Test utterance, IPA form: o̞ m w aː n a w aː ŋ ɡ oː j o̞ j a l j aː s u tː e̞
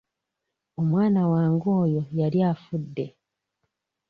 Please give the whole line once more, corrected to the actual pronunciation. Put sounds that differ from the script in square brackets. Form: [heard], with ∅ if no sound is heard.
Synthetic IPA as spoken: o̞ m w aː n a w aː ŋ ɡ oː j o̞ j a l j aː [f] u [dː] e̞